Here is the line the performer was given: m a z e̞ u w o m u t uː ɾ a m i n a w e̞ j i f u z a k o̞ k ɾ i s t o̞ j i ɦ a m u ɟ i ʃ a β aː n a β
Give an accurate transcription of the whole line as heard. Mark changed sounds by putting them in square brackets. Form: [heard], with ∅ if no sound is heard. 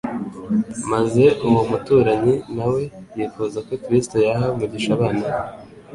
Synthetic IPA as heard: m a z e̞ u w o m u t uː ɾ a [ɲ] i n a w e̞ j i f u z a k o̞ k ɾ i s t o̞ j [a] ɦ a m u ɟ i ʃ a β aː n a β